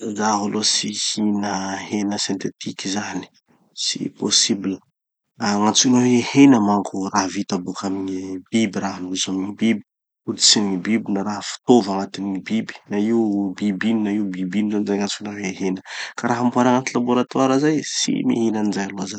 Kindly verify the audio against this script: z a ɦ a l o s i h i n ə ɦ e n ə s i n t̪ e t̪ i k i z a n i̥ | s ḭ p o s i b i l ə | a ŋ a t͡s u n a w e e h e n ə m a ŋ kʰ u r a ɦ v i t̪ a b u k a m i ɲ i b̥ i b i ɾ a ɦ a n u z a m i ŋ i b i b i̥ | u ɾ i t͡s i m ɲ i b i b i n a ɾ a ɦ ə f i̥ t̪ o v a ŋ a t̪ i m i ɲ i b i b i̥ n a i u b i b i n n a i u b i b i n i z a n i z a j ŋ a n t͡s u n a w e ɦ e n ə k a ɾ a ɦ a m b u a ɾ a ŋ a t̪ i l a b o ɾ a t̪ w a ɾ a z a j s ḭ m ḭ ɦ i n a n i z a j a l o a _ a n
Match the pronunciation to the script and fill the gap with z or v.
z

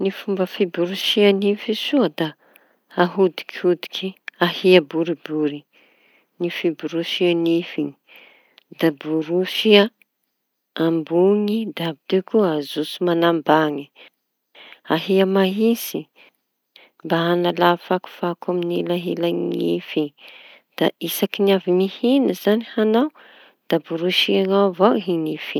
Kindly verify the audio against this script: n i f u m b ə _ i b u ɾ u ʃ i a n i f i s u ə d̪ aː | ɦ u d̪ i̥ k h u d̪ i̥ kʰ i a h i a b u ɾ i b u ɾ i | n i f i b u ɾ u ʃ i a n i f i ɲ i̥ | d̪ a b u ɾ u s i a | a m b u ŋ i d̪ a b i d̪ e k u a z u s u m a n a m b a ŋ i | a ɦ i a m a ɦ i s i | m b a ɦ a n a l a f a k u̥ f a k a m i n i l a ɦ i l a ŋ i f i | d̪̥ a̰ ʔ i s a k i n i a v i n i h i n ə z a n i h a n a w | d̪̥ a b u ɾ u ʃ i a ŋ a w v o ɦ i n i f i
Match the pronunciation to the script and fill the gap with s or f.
f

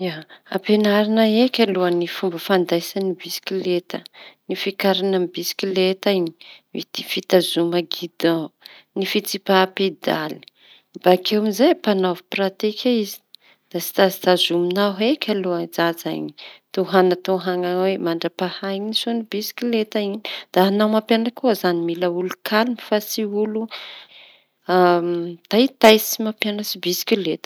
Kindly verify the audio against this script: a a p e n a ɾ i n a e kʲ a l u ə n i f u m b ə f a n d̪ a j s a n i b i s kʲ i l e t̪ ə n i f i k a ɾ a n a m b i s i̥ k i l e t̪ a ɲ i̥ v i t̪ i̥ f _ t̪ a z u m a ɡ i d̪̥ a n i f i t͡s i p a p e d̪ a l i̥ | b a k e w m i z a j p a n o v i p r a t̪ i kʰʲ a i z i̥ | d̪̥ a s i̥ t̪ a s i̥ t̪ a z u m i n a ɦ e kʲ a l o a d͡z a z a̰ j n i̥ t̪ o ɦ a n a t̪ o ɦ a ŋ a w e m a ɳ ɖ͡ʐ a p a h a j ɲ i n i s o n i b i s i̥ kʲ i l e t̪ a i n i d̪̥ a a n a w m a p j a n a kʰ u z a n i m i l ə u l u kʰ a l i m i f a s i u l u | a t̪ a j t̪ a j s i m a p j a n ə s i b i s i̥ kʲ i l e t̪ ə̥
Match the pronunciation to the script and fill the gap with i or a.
i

